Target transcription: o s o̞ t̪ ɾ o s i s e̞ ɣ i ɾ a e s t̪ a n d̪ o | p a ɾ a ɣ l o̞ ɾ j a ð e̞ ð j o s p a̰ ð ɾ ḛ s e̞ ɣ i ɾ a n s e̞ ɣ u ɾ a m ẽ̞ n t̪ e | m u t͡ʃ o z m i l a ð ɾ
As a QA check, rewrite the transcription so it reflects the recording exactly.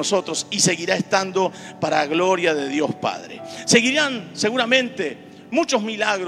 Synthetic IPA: o s o̞ t̪ ɾ o s i s e̞ ɣ i ɾ a e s t̪ a n d̪ o | p a ɾ a ɣ l o̞ ɾ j a ð e̞ ð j o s p a̰ ð ɾ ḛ s e̞ ɣ i ɾ a n s e̞ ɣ u ɾ a m ẽ̞ n t̪ e | m u t͡ʃ o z m i l a ɣ ɾ